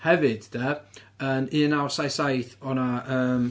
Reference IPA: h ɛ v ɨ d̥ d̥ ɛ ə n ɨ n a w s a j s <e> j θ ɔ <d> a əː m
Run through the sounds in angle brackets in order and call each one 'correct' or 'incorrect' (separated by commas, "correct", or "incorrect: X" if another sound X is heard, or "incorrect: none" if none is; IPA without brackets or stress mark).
incorrect: a, incorrect: n